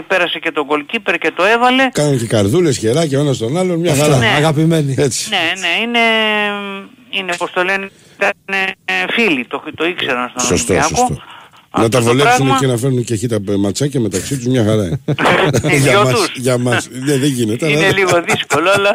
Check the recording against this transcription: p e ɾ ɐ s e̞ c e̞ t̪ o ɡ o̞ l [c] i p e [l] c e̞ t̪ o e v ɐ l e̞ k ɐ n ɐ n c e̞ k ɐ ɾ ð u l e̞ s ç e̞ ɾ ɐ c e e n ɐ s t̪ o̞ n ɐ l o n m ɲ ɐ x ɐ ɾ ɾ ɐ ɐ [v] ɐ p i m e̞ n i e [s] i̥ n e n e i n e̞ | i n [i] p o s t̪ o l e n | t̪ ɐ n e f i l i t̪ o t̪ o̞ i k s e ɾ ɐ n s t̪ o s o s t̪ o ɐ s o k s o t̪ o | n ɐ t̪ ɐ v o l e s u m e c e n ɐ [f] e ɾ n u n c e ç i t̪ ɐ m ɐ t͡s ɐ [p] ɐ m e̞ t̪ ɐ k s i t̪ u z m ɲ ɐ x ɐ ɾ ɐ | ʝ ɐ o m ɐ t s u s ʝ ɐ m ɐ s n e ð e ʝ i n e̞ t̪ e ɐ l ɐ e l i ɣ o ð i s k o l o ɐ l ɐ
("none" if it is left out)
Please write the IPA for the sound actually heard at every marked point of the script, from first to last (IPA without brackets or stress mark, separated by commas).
c, ɾ, ɣ, t͡s, e, f, c